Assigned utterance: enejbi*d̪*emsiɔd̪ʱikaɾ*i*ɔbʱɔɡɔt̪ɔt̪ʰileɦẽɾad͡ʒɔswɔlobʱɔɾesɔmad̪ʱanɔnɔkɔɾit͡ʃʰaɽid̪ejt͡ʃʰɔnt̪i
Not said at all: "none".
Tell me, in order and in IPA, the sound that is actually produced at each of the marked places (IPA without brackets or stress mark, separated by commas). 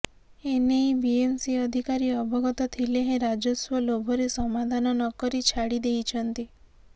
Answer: none, i